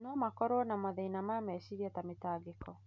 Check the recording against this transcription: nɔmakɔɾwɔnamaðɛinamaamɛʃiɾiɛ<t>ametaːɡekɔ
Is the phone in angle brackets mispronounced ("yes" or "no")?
no